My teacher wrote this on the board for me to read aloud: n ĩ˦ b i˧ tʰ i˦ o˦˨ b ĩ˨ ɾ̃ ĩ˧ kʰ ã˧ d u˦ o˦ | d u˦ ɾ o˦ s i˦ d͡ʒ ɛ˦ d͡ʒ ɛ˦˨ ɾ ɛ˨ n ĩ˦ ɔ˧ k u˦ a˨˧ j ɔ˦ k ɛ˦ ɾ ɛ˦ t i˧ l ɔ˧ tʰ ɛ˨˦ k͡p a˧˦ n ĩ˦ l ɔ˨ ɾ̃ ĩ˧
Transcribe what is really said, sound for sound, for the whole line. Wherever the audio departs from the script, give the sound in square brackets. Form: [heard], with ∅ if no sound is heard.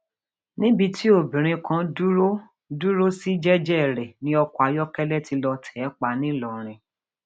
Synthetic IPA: n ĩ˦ b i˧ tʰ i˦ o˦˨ b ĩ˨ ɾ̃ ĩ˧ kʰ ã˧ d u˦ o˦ | d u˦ ɾ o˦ s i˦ d͡ʒ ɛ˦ d͡ʒ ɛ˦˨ ɾ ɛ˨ n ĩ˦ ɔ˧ k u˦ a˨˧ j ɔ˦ k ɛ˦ [l] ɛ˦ t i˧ l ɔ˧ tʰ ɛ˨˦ k͡p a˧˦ n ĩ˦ l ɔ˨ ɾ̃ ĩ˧